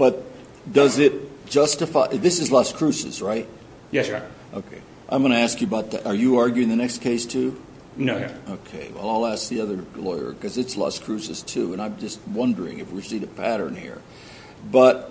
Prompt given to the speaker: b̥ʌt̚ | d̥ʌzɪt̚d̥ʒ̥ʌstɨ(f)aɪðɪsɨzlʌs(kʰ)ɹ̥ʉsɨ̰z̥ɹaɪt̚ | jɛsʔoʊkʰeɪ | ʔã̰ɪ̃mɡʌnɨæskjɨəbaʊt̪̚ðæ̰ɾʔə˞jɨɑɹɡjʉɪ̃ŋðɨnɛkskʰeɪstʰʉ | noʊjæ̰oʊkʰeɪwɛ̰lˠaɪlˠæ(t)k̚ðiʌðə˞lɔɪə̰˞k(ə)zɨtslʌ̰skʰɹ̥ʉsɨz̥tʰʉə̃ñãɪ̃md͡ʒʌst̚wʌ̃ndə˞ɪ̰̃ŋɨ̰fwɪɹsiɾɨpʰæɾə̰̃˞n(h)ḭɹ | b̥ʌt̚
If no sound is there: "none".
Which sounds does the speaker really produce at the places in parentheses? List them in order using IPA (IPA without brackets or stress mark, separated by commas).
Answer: f, kʰ, s, ʌ, h